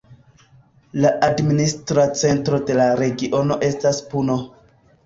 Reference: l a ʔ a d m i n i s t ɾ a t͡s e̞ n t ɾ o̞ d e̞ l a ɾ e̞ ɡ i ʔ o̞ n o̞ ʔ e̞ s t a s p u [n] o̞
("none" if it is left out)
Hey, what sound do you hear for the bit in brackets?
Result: n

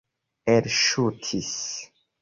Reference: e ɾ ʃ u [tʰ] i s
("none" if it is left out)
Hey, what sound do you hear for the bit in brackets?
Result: tʰ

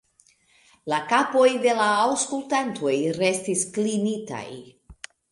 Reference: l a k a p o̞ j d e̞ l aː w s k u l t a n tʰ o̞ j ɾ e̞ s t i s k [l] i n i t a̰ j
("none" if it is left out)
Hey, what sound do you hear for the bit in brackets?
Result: l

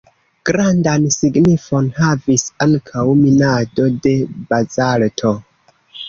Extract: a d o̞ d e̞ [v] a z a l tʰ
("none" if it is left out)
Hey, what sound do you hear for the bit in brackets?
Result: b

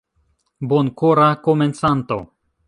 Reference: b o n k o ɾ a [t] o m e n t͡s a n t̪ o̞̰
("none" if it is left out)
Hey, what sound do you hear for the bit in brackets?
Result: k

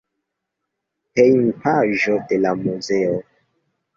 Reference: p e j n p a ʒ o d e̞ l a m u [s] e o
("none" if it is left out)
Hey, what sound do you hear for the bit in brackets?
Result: z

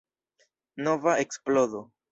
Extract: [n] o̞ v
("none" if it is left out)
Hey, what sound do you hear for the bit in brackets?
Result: n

